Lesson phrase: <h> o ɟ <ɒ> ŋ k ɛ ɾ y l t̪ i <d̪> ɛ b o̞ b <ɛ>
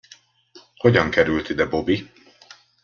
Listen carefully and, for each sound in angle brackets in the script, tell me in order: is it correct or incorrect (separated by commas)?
correct, correct, correct, incorrect